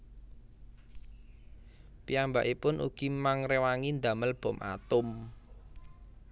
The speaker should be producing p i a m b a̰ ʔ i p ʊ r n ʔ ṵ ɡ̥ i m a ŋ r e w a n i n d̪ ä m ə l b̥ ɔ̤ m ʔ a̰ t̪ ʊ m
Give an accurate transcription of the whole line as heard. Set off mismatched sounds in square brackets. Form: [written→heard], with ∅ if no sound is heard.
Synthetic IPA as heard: p i a m b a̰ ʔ i p ʊ [r→∅] n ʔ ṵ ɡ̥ i m a ŋ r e w a [n→ŋ] i n d̪ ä m ə l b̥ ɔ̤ m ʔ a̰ t̪ ʊ m

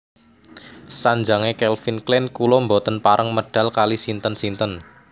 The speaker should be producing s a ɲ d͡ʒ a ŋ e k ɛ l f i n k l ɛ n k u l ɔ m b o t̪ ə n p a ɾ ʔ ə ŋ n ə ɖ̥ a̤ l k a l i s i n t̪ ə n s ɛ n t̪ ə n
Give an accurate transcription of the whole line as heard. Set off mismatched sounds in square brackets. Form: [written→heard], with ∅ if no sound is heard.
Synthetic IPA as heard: s a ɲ d͡ʒ a ŋ e k ɛ l f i n k l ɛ n k u l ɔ m b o t̪ ə n p a ɾ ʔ ə ŋ [n→m] ə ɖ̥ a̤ l k a l i s i n t̪ ə n s [ɛ→i] n t̪ ə n

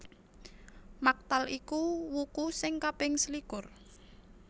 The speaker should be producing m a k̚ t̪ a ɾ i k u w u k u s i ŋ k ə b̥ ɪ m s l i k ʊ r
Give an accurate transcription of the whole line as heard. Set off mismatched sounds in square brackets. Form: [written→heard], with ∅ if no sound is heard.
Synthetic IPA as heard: m a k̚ t̪ a [ɾ→l] i k u w u k u s [i→ɪ] ŋ k [ə→a] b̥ ɪ [m→ŋ] s l i k ʊ r

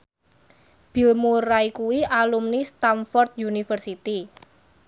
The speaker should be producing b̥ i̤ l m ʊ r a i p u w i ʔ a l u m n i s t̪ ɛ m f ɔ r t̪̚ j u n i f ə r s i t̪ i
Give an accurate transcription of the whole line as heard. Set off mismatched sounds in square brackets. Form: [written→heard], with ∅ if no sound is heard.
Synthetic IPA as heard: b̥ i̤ l m [ʊ→u] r a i [p→k] u w i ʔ a l u m n i s t̪ [ɛ→a] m f ɔ r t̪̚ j u n i f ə r s i t̪ i

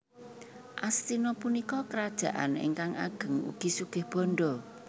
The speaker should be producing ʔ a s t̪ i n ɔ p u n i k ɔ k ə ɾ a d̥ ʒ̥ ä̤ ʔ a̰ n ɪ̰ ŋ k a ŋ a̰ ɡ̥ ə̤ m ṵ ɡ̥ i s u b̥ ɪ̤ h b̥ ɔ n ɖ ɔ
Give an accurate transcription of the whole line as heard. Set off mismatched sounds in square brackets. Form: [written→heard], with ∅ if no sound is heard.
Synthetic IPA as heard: ʔ a s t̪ i n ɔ p u n i k ɔ k ə ɾ a d̥ ʒ̥ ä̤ ʔ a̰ n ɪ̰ ŋ k a ŋ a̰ ɡ̥ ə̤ [m→ŋ] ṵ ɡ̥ i s u [b̥→ɡ̥] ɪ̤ h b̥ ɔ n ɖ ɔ

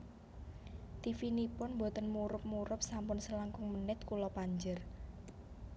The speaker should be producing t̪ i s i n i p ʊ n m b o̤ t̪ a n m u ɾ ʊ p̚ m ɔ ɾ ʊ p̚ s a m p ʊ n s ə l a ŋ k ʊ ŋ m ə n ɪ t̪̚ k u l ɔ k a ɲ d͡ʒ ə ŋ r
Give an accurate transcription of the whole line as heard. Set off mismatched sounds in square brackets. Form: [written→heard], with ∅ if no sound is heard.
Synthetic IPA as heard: t̪ i [s→f] i n i p ʊ n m b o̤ t̪ [a→ə] n m u ɾ ʊ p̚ m [ɔ→u] ɾ ʊ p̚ s a m p ʊ n s ə l a ŋ k ʊ ŋ m ə n ɪ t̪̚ k u l ɔ [k→p] a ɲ d͡ʒ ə [ŋ→∅] r

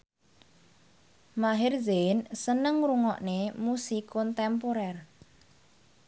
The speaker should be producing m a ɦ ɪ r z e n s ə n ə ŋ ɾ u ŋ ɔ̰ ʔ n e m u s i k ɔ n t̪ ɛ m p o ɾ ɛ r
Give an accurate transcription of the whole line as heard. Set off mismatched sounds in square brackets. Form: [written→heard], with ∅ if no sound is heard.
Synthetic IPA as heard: m a ɦ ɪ r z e n s ə n ə ŋ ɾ u ŋ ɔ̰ ʔ n e m u s i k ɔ n t̪ ɛ m p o ɾ ɛ r

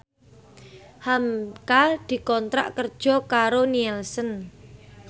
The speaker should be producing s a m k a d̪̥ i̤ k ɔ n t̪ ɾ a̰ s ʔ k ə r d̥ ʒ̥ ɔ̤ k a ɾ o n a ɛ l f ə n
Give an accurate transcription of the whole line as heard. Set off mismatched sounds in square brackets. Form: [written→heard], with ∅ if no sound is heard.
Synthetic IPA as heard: [s→h] a m k a d̪̥ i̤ k ɔ n t̪ ɾ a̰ [s→∅] ʔ k ə r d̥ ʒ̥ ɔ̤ k a ɾ o n [a→i] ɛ l [f→s] ə n

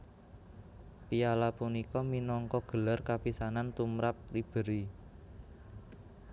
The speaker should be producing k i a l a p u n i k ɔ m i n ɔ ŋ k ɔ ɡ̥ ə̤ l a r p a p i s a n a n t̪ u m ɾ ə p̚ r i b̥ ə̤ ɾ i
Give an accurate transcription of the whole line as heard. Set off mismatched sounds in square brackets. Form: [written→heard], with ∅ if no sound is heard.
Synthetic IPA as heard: [k→p] i a l a p u n i k ɔ m i n ɔ ŋ k ɔ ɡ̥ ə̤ l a r [p→k] a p i s a n a n t̪ u m ɾ [ə→a] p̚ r i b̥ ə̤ ɾ i

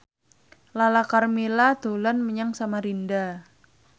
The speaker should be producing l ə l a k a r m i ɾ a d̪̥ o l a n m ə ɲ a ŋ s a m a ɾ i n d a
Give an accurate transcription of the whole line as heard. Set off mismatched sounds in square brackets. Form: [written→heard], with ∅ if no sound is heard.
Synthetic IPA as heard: l [ə→a] l a k a r m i [ɾ→l] a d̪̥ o l a n m ə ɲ a ŋ s a m a ɾ i n d a

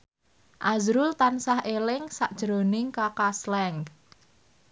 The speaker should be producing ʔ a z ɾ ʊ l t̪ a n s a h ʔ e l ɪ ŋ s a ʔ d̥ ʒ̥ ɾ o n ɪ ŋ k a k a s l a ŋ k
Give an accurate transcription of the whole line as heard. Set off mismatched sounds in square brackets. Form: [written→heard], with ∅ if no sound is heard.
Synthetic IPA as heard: ʔ a z ɾ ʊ l t̪ a n s a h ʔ e l ɪ ŋ s a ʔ d̥ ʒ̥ ɾ o n ɪ ŋ k a k a s l [a→ɛ] ŋ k

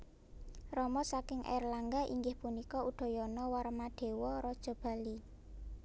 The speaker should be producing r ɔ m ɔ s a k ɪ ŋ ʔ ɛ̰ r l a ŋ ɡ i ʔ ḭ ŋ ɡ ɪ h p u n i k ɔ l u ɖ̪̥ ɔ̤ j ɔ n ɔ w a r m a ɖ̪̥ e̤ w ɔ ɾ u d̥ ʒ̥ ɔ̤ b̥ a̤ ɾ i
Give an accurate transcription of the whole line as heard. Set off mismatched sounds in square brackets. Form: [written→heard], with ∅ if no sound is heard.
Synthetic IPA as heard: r ɔ m ɔ s a k ɪ ŋ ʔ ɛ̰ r l a ŋ ɡ [i→a] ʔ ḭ ŋ ɡ ɪ h p u n i k ɔ [l→∅] u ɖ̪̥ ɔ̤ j ɔ n ɔ w a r m a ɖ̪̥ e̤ w ɔ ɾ [u→ɔ] d̥ ʒ̥ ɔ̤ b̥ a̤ [ɾ→l] i

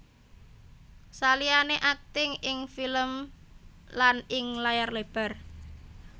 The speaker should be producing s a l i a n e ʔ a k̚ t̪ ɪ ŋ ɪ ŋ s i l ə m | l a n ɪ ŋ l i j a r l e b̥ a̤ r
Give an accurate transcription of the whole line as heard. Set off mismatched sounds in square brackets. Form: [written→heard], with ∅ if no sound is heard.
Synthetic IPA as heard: s a l i a n e ʔ a k̚ t̪ ɪ ŋ ɪ ŋ [s→f] i l ə m | l a n ɪ ŋ l [i→a] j a r l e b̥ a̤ r

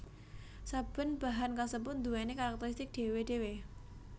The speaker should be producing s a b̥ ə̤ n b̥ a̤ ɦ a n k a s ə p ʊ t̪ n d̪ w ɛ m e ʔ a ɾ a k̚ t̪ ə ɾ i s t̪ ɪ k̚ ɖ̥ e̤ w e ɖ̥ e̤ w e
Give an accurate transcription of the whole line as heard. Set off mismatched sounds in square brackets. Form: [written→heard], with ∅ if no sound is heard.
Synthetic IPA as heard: s a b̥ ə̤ n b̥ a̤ ɦ a n k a s ə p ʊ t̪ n d̪ [w→u] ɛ [m→n] e [ʔ→k] a ɾ a k̚ t̪ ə ɾ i s t̪ ɪ k̚ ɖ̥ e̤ w e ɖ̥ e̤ w e

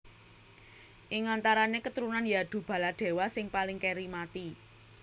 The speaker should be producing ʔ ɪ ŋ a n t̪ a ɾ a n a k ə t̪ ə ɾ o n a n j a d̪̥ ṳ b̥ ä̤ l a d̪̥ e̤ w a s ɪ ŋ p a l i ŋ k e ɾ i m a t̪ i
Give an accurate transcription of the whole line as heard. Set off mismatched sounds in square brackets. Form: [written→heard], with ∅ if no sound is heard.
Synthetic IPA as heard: ʔ ɪ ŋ a n t̪ a ɾ a n [a→e] k ə t̪ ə ɾ [o→u] n a n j a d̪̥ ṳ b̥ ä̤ l a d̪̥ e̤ w a s ɪ ŋ p a l [i→ɪ] ŋ k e ɾ i m a t̪ i

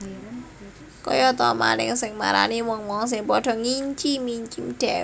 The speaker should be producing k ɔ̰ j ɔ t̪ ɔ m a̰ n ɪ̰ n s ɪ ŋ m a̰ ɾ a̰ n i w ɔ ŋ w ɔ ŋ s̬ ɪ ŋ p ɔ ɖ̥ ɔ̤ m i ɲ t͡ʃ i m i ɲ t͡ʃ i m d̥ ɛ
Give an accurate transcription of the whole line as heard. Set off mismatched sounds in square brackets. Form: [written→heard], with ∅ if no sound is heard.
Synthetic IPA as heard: k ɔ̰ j ɔ t̪ ɔ m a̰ n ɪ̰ [n→ŋ] s ɪ ŋ m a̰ ɾ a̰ n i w ɔ ŋ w ɔ ŋ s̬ ɪ ŋ p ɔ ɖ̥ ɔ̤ [m→ŋ] i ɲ t͡ʃ i m i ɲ t͡ʃ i m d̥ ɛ

